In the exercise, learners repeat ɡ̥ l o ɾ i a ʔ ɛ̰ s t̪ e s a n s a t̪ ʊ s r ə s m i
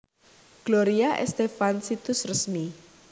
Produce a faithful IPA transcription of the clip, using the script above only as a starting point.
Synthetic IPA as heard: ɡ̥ l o ɾ i a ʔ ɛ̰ s t̪ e f a n s i t̪ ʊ s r ə s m i